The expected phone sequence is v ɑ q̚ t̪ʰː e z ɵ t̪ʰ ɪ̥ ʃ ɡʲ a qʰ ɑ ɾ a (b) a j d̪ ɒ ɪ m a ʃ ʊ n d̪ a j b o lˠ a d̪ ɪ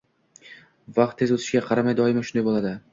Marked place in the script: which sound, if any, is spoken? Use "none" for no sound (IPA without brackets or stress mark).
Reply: m